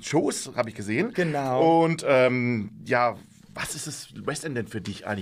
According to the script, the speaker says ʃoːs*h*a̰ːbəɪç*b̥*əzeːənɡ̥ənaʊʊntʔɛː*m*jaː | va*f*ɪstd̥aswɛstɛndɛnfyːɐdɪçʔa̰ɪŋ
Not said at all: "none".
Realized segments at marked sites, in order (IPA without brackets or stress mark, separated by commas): h, ɡ̥, m, s